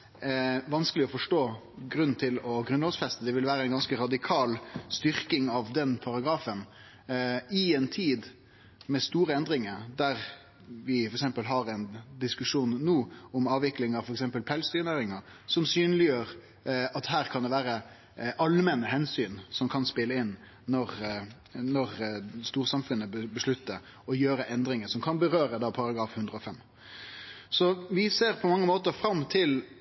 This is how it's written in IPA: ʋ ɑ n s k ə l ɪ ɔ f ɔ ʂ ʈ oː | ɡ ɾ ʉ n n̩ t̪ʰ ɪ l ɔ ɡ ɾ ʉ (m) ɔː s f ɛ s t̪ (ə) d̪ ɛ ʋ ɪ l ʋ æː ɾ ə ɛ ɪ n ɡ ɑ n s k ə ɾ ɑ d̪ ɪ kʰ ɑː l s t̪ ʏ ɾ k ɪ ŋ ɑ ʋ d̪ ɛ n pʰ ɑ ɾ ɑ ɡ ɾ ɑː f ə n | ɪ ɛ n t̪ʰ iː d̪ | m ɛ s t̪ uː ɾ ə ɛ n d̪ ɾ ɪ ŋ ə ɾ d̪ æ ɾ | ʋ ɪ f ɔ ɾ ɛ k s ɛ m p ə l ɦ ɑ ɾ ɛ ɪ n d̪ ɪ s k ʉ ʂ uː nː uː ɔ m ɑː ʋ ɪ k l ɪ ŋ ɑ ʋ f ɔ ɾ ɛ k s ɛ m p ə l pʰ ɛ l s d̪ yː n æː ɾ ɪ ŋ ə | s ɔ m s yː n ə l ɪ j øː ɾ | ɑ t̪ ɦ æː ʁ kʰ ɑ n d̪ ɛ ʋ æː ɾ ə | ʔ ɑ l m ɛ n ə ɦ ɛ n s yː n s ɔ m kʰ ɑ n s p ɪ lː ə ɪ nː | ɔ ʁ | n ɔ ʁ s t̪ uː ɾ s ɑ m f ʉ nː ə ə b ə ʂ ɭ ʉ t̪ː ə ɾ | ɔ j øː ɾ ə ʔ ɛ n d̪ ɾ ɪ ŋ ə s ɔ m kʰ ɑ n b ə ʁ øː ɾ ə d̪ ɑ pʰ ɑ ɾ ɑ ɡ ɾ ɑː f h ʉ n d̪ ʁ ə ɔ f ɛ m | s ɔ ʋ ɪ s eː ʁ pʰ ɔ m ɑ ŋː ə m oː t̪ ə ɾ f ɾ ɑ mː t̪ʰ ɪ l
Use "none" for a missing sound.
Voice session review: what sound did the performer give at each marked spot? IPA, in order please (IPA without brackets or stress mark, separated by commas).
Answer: n, ə